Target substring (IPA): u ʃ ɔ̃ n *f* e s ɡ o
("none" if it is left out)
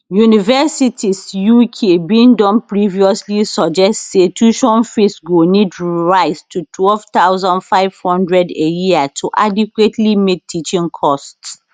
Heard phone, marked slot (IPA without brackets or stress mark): f